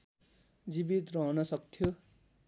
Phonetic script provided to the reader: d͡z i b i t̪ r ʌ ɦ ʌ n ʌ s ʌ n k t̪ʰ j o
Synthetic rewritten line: d͡z i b i t̪ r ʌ ɦ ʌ n ʌ s ʌ k t̪ʰ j o